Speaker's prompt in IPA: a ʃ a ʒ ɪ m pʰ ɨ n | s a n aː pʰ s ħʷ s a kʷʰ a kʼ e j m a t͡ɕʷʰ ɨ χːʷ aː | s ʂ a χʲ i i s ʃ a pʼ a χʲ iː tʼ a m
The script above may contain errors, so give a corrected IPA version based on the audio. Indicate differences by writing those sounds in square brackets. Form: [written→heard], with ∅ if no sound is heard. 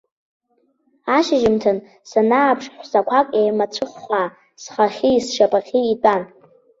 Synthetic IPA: a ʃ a ʒ ɪ m [pʰ→tʰ] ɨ n | s a n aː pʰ [s→ʂ] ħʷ s a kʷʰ a kʼ e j m a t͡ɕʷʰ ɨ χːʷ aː | s [ʂ→χ] a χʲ i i s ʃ a pʼ a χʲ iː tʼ a [m→n]